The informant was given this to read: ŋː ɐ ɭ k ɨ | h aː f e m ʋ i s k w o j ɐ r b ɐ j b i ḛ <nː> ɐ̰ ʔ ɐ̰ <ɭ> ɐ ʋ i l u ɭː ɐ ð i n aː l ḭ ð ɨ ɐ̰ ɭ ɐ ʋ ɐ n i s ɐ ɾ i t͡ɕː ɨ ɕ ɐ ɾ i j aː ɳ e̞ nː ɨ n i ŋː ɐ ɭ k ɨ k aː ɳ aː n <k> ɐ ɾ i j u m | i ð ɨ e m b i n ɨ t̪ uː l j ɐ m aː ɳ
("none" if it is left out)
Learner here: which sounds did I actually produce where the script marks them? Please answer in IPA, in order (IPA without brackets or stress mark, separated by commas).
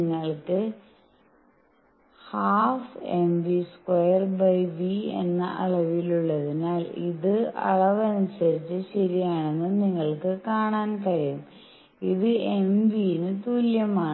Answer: nː, ɭ, k